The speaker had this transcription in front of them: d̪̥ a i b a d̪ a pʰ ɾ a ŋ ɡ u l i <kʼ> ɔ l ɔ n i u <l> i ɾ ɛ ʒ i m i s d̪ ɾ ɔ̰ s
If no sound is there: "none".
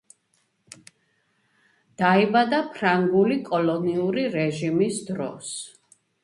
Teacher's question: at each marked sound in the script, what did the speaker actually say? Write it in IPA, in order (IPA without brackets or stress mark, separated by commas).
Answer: kʼ, ɾ